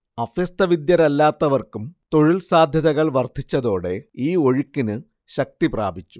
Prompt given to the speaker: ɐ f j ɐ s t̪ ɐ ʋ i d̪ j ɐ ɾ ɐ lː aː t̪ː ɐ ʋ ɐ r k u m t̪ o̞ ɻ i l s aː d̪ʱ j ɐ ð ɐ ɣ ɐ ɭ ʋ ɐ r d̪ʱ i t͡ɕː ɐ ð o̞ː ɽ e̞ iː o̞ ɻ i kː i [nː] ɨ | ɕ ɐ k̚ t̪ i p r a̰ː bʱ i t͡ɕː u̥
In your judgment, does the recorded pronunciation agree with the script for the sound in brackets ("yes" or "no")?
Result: no